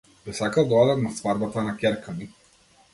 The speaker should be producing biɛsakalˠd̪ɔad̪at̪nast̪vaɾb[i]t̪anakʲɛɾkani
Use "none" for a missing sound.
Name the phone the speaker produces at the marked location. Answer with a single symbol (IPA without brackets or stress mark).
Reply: a